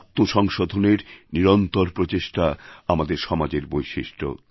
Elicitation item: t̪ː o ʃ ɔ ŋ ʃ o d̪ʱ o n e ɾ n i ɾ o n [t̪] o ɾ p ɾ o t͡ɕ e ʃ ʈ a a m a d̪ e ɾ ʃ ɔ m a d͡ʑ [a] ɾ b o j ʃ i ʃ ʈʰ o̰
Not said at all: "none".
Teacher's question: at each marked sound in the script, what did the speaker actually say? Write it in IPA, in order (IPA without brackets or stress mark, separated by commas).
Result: t̪, e